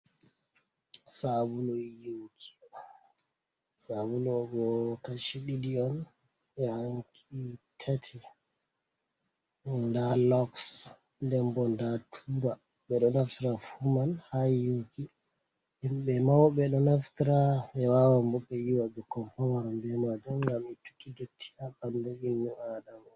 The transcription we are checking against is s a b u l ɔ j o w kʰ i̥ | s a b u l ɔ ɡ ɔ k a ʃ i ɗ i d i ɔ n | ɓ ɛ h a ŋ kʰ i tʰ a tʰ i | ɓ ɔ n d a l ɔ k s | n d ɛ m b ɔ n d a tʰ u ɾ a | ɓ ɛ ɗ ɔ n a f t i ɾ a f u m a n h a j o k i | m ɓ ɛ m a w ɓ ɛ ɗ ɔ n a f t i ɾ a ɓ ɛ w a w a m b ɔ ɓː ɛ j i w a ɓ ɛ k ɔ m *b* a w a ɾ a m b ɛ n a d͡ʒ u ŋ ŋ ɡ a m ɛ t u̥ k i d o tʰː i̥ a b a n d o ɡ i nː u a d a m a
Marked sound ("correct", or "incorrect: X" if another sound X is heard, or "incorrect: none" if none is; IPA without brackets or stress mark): incorrect: p